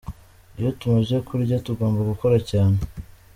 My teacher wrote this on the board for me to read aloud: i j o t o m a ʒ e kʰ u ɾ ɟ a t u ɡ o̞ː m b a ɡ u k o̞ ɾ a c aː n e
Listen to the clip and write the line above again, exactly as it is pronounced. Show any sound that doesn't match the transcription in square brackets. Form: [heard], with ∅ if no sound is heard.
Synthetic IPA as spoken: i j o t [u] m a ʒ e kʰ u ɾ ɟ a t u ɡ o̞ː m b a ɡ u k o̞ ɾ a c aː n e